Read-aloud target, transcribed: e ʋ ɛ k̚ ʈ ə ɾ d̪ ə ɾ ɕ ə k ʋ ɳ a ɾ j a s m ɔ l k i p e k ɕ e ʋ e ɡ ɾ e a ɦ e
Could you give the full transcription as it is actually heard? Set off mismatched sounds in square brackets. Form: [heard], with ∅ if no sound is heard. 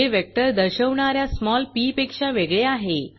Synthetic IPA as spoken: e ʋ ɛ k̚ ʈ ə ɾ d̪ ə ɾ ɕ ə [∅] ʋ ɳ a ɾ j a s m ɔ l [p] i p e k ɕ [a] ʋ e ɡ [ɭ] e a ɦ e